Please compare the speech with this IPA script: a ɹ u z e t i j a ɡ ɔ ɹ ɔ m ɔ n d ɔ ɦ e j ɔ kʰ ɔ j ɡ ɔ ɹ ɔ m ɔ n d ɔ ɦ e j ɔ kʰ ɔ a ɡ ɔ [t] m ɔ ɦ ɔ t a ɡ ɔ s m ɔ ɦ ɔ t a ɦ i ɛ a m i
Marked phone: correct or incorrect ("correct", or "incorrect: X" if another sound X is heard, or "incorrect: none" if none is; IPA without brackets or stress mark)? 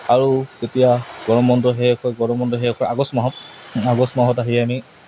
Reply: incorrect: s